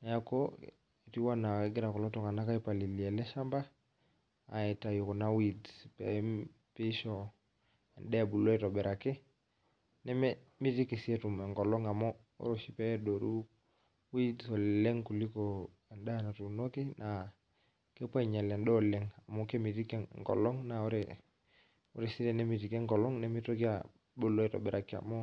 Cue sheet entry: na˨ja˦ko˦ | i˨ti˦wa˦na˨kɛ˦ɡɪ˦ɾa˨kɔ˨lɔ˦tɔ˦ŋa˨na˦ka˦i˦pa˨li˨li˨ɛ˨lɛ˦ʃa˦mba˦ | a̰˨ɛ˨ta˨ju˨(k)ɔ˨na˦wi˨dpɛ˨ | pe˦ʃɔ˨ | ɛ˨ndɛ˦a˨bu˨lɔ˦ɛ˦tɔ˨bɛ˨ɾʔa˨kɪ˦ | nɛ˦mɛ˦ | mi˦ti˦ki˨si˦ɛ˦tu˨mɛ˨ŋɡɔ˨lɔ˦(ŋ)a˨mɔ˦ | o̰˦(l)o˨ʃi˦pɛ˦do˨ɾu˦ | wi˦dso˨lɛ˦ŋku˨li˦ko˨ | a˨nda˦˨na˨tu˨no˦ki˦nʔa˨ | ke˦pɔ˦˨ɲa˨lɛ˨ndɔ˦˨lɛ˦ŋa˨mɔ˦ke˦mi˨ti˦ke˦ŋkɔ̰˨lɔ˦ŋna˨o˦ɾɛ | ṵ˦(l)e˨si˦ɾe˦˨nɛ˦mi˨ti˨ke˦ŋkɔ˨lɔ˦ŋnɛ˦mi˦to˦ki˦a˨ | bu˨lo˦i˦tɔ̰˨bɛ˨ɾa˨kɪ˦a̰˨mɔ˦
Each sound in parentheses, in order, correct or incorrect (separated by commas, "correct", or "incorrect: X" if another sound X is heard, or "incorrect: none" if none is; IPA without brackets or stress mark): correct, correct, incorrect: ɾ, incorrect: ɾ